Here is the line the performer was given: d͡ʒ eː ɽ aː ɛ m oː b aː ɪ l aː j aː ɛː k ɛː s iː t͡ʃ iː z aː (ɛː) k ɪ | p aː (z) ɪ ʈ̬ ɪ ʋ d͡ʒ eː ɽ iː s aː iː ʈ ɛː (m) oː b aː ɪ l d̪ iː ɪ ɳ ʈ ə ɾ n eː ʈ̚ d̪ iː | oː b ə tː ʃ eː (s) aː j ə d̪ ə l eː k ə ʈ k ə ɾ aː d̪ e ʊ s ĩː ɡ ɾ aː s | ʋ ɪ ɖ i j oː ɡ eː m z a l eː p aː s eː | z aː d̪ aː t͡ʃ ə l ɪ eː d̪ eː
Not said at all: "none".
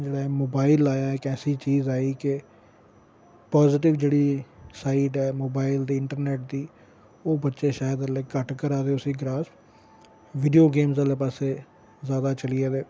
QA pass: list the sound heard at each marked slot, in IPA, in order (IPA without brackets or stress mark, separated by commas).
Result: iː, z, m, ʃ